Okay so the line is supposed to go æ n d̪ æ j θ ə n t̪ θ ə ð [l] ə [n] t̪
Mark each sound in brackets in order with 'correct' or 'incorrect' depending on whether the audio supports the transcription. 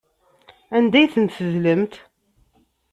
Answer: correct, incorrect

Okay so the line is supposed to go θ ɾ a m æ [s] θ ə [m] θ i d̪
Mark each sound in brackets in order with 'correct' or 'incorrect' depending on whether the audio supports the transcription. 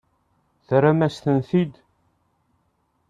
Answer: correct, incorrect

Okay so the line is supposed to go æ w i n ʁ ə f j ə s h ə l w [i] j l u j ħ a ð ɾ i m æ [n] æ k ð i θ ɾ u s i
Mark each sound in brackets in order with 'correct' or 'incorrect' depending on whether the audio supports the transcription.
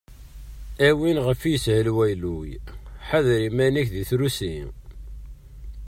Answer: incorrect, correct

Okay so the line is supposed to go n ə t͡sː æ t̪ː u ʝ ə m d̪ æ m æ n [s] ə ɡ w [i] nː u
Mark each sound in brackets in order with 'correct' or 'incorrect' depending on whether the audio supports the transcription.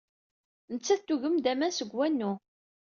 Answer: correct, incorrect

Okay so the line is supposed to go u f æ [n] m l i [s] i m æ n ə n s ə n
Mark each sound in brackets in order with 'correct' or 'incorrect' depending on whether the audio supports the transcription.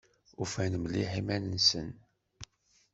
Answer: correct, incorrect

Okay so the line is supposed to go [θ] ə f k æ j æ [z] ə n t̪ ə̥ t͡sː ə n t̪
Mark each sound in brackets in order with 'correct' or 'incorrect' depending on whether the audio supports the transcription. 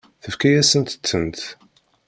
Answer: correct, incorrect

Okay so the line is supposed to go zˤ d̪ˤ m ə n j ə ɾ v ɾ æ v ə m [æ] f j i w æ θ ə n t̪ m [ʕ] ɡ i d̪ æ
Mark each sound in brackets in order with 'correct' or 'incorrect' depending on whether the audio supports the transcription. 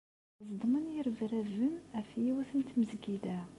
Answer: correct, incorrect

